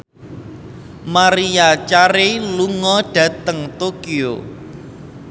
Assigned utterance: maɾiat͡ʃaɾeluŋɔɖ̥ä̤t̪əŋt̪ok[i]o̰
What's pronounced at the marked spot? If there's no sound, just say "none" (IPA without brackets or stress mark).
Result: i